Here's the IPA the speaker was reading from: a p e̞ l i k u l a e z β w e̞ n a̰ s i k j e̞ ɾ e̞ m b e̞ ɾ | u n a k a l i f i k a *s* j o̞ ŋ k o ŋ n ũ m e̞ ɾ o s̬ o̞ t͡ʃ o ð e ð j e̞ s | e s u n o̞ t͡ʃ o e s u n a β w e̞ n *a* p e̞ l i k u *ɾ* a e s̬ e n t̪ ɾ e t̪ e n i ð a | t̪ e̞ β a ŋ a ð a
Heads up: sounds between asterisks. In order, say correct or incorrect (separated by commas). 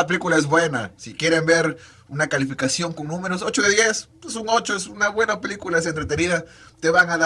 correct, correct, incorrect